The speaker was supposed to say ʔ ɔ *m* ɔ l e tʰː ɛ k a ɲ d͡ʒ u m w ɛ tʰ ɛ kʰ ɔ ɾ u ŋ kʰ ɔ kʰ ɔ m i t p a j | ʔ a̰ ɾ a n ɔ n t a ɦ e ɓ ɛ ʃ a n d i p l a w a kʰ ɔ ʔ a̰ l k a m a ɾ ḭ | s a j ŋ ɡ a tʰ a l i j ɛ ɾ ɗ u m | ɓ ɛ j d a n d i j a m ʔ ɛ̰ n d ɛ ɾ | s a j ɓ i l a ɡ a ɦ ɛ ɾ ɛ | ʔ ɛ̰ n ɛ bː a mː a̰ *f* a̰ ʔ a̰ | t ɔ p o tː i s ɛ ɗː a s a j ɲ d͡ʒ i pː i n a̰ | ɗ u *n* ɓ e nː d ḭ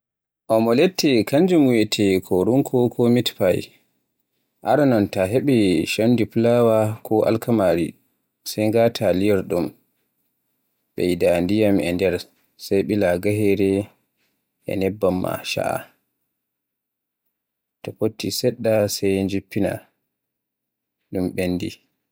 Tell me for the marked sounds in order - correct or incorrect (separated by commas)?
correct, incorrect, incorrect